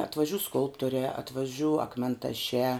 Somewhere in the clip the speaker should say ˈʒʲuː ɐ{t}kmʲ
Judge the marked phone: incorrect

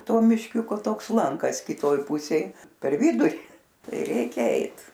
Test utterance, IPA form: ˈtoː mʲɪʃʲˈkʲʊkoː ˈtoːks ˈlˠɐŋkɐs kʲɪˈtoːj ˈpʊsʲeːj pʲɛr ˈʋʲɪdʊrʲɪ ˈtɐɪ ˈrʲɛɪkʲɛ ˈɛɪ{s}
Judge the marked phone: incorrect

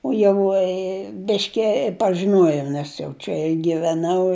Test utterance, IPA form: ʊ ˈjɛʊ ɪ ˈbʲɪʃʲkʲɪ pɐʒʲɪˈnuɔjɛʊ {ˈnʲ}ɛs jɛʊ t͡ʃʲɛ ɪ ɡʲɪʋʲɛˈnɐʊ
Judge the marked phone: correct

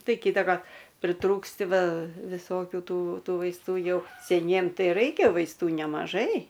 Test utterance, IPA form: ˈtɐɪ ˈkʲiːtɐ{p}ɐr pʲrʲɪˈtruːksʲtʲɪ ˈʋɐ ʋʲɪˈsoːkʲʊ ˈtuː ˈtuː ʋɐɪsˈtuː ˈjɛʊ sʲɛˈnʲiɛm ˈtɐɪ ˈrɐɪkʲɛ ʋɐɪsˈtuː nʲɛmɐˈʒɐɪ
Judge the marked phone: incorrect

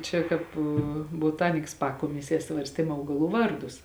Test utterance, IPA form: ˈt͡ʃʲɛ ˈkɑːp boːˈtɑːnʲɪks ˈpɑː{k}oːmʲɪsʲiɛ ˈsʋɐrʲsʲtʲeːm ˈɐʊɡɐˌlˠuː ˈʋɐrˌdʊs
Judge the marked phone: correct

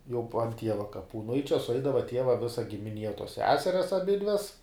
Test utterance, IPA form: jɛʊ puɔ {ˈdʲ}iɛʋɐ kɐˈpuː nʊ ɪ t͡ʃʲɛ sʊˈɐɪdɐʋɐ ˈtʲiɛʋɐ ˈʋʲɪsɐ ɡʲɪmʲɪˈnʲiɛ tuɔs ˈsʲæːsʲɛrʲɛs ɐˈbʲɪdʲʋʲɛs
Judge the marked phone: incorrect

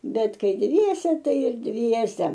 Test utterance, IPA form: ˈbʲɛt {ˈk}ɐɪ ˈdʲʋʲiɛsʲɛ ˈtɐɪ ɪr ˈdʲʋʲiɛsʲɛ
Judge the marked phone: correct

